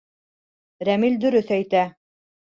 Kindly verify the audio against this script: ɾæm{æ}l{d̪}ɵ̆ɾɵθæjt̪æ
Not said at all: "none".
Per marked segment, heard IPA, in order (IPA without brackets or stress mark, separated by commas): i, d̪